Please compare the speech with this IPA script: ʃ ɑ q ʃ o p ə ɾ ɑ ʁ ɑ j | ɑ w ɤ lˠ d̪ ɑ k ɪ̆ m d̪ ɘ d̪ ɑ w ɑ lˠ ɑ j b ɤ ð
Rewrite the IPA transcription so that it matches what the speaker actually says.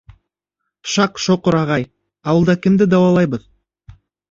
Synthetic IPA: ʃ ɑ q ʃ o q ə ɾ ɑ ʁ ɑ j | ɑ w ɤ lˠ d̪ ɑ k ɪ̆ m d̪ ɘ d̪ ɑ w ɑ lˠ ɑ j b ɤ ð